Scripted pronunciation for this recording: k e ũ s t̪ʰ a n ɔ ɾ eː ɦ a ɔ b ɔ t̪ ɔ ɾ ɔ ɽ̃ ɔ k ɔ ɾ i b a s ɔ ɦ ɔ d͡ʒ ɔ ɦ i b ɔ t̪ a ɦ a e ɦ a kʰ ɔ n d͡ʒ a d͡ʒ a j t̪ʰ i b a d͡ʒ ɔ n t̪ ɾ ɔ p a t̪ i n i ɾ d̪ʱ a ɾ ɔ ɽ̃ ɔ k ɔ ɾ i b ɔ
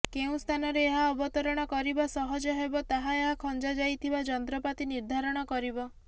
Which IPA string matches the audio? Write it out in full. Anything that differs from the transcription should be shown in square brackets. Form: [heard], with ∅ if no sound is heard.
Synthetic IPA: k e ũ s t̪ʰ a n ɔ ɾ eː ɦ a ɔ b ɔ t̪ ɔ ɾ ɔ ɽ̃ ɔ k ɔ ɾ i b a s ɔ ɦ ɔ d͡ʒ ɔ ɦ [e] b ɔ t̪ a ɦ a e ɦ a kʰ ɔ n d͡ʒ a d͡ʒ a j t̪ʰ i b a d͡ʒ ɔ n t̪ ɾ ɔ p a t̪ i n i ɾ d̪ʱ a ɾ ɔ ɽ̃ ɔ k ɔ ɾ i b ɔ